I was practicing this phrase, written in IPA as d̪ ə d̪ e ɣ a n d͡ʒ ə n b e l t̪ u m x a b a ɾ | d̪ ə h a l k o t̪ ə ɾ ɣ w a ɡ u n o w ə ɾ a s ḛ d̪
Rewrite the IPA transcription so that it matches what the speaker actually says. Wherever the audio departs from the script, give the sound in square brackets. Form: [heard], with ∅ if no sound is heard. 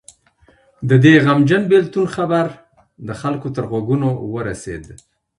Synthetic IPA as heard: d̪ ə d̪ e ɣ a [m] d͡ʒ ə n b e l t̪ u [n] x a b a ɾ | d̪ ə [x] a l k o t̪ ə ɾ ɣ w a ɡ u n o w ə ɾ a s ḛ d̪